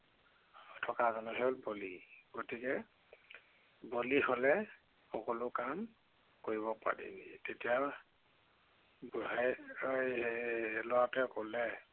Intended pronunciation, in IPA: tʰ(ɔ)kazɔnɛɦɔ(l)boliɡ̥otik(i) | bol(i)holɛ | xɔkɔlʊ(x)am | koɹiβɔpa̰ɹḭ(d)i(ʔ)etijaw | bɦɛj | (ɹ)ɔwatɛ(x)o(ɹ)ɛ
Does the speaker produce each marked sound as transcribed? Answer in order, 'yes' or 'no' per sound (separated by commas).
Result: yes, yes, no, yes, no, no, no, no, no, no